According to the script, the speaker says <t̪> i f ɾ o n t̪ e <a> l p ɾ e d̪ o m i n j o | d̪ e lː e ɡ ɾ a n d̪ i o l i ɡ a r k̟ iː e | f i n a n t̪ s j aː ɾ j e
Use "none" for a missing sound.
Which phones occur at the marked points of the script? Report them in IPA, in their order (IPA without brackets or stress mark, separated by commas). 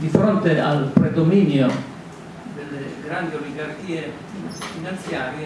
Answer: d̪, a